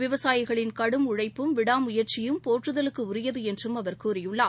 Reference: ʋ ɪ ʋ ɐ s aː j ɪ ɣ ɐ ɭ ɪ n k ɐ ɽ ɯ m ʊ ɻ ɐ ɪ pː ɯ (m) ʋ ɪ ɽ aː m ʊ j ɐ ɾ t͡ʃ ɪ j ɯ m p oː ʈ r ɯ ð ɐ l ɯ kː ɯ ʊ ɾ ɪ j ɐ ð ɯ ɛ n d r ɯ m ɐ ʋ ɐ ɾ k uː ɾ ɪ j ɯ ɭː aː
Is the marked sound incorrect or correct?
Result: correct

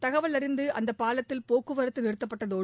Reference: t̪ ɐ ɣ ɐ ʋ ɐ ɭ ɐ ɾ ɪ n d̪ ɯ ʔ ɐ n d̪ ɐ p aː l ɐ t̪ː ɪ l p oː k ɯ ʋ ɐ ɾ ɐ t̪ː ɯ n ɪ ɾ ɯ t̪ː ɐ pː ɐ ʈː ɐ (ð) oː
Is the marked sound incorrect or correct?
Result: correct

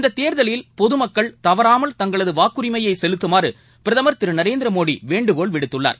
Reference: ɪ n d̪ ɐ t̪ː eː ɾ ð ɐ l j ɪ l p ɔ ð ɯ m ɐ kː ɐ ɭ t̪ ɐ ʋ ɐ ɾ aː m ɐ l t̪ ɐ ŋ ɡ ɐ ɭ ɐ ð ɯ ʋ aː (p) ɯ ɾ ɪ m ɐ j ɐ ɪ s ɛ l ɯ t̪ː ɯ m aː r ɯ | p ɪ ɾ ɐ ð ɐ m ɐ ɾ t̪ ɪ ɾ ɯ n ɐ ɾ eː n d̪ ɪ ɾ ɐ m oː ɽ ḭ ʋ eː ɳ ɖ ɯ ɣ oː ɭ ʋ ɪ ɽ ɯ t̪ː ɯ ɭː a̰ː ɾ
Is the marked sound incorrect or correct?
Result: incorrect: k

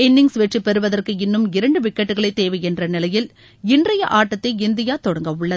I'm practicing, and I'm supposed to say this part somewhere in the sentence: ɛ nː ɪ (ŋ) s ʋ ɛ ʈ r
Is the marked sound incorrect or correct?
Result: correct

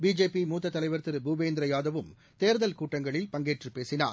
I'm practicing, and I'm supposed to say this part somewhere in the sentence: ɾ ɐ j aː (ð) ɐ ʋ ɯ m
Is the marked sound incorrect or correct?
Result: correct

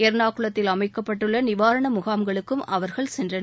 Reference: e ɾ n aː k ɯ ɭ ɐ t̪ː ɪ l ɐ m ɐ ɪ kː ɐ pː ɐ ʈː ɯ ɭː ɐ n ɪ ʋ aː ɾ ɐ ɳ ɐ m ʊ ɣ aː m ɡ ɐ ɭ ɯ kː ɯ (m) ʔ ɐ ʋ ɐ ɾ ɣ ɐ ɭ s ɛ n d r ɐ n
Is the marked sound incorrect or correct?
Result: correct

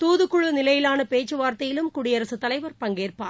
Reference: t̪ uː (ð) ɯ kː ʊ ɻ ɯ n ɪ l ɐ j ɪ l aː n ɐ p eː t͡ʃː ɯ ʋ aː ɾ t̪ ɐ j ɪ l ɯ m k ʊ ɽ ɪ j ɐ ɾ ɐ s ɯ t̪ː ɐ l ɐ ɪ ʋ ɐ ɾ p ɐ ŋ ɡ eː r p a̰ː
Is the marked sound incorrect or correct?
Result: correct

